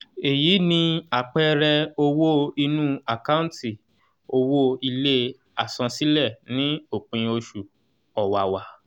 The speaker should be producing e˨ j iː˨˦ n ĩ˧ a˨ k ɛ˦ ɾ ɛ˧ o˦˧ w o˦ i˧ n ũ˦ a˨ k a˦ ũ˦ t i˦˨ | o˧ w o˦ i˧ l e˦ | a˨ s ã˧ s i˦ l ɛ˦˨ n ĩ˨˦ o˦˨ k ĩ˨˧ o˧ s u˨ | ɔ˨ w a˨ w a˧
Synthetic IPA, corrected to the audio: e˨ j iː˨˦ n ĩ˧ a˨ k͡p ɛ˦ ɾ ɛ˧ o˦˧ w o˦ i˧ n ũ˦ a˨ k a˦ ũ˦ t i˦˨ | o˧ w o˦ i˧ l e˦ | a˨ s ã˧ s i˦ l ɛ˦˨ n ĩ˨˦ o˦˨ k͡p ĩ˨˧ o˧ ʃ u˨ | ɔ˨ w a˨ w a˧